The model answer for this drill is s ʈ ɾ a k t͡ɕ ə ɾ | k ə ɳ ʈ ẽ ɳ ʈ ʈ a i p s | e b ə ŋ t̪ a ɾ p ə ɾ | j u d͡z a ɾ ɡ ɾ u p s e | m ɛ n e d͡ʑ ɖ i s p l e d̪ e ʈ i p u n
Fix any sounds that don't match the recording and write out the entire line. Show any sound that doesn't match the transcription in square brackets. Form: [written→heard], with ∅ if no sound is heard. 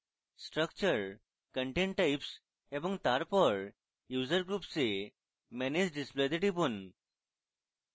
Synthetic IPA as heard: s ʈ ɾ [a→ə] k t͡ɕ ə ɾ | k ə ɳ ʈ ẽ ɳ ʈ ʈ a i p s | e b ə ŋ t̪ a ɾ p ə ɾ | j u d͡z [a→ə] ɾ ɡ ɾ u p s e | m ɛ n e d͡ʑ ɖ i s p l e d̪ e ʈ i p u n

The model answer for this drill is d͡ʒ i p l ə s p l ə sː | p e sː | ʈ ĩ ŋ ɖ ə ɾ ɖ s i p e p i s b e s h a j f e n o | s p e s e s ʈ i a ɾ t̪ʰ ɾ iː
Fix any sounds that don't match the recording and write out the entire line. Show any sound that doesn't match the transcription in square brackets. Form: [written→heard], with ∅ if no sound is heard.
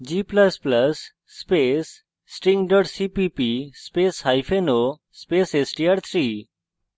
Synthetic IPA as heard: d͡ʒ i p l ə s p l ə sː | p e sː | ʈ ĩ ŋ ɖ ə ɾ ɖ s i p [e→i] p i s [b→p] e s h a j f e n o | s p e s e s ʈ i a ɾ t̪ʰ ɾ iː

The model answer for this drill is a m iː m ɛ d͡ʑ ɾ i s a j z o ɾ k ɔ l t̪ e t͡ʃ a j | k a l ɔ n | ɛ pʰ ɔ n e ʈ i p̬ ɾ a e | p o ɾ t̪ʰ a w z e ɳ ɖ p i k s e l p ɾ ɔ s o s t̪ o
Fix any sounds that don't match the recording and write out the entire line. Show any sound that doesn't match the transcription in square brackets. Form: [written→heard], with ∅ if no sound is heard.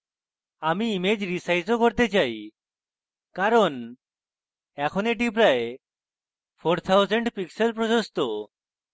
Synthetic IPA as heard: a m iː m [ɛ→e] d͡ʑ ɾ i s a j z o [ɾ→∅] k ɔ [l→ɾ] t̪ e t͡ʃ a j | k a [l→ɾ] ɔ n | ɛ [pʰ→kʰ] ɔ n e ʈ i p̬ ɾ a e | [p→pʰ] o ɾ t̪ʰ a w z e ɳ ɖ p i k s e l p ɾ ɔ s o s t̪ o

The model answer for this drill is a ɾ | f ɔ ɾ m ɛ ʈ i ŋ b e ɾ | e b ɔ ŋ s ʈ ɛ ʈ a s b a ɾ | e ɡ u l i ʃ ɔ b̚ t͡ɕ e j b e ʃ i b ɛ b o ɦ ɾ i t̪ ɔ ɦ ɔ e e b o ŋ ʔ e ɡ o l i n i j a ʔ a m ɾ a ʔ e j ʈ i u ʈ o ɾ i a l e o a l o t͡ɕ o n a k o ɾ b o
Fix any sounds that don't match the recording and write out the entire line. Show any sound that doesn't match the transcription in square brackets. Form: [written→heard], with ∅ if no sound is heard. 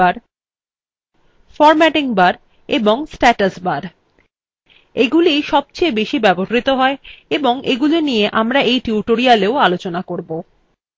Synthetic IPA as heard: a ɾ | f ɔ ɾ m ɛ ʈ i ŋ b [e→a] ɾ | e b [ɔ→o] ŋ s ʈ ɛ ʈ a s b a ɾ | e ɡ u l i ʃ ɔ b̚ t͡ɕ e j b e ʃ i b ɛ b o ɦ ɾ i t̪ [ɔ→o] ɦ ɔ e e b o ŋ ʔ e ɡ [o→u] l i n i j [a→e] ʔ a m ɾ a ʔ e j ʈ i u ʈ o ɾ i a l e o a l o t͡ɕ o n a k o ɾ b o

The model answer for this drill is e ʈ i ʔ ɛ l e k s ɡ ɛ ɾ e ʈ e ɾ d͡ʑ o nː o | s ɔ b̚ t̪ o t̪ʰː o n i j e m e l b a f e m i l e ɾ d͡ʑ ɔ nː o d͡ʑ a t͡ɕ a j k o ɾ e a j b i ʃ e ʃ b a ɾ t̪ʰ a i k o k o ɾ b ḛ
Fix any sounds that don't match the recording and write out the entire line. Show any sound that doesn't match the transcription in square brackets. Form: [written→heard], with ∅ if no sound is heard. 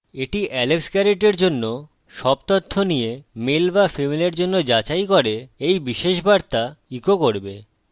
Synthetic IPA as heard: e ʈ i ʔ ɛ l e k s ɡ ɛ ɾ e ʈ e ɾ d͡ʑ o nː o | [s→ʃ] ɔ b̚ t̪ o t̪ʰː o n i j e m e l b a f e m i l e ɾ d͡ʑ [ɔ→o] nː o d͡ʑ a t͡ɕ a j k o ɾ e [a→e] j b i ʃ e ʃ b a ɾ [t̪ʰ→t̪] a i k o k o ɾ b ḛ

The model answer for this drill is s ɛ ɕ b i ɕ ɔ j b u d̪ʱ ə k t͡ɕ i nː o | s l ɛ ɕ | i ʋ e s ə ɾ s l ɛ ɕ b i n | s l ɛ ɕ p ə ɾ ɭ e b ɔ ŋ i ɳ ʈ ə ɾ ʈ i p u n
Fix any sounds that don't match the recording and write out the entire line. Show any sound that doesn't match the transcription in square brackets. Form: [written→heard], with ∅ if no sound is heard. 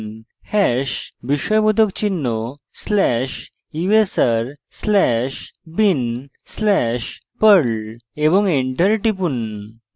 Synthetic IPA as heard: [s→h] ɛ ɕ b i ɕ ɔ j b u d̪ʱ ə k t͡ɕ i nː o | s l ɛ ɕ | i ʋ e s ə ɾ s l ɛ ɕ b i n | s l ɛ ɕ p ə ɾ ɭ e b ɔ ŋ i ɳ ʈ ə ɾ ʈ i p u n

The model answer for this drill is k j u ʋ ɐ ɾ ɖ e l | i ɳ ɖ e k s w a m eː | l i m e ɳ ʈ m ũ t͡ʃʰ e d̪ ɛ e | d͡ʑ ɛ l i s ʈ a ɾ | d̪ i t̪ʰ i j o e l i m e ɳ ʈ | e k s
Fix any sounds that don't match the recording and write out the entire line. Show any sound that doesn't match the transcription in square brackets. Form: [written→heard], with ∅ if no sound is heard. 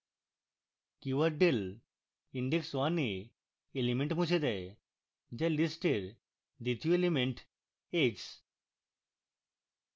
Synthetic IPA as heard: k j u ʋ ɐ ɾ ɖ e l | i ɳ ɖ e k s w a [m→n] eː | l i m e ɳ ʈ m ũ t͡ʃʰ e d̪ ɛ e | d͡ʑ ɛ l i s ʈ [a→e] ɾ | d̪ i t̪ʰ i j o e l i m e ɳ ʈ | e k s

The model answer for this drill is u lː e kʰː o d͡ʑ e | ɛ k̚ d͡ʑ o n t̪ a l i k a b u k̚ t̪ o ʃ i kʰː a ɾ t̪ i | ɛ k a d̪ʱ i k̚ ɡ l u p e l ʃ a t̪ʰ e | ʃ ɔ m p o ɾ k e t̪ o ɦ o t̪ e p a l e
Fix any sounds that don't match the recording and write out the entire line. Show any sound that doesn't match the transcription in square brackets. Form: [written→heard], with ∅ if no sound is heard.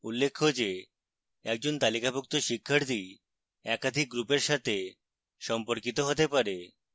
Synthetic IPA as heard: u lː e kʰː o d͡ʑ e | ɛ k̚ d͡ʑ o n t̪ a l i k a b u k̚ t̪ o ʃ i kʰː a ɾ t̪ i | ɛ k a d̪ʱ i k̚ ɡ [l→ɾ] u p e [l→ɾ] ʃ a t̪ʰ e | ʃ ɔ m p o ɾ k [e→i] t̪ o ɦ o t̪ e p a [l→ɾ] e

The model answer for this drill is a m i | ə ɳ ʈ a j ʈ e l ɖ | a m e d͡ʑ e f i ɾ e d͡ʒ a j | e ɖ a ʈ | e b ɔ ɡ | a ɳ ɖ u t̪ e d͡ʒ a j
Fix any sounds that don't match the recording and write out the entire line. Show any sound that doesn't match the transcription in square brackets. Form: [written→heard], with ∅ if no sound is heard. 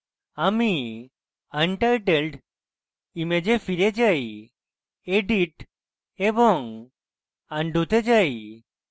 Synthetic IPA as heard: a m i | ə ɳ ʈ a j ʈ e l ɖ | [a→i] m e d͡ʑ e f i ɾ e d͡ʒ a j | e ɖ [a→i] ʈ | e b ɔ [ɡ→ŋ] | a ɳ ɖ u t̪ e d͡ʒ a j

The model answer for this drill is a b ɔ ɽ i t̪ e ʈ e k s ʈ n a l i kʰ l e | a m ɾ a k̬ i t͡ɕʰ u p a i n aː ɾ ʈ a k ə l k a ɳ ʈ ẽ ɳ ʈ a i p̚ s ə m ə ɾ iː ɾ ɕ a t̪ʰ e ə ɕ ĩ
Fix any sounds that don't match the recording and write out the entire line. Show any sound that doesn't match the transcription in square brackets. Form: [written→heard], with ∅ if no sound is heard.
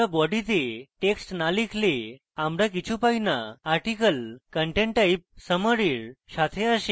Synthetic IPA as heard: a b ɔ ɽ i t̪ e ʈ e k s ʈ n a l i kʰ l e | a m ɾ a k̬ i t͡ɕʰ u p a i n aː ɾ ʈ [a→i] k ə l k [a→ə] ɳ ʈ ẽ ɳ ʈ a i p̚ s ə m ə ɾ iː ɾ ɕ a t̪ʰ e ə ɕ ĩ

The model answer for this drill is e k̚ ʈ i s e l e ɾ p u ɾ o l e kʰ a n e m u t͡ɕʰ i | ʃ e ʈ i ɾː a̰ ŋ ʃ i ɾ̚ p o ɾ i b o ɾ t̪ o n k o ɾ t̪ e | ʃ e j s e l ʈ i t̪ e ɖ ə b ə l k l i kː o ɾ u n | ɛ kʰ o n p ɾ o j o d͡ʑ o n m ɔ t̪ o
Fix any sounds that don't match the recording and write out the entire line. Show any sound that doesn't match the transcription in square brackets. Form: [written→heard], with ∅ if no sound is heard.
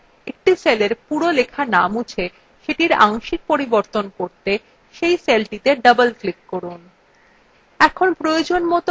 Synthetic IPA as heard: e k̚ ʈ i s e l e ɾ p u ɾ o l e kʰ a n [e→a] m u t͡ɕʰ [i→e] | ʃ e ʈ i [ɾː→ɾ] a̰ ŋ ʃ i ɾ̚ p o ɾ i b o ɾ t̪ o n k o ɾ t̪ e | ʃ e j s e l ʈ i t̪ e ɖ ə b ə l k l i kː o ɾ u n | ɛ kʰ o n p ɾ o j o d͡ʑ o n m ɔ t̪ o

